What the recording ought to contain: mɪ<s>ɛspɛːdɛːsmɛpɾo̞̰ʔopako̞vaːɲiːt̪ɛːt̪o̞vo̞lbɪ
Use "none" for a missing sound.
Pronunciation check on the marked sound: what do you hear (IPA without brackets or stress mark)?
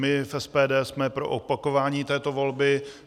f